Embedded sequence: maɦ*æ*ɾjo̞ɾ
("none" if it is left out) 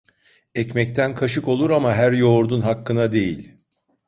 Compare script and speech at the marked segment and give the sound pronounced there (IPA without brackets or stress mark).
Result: æ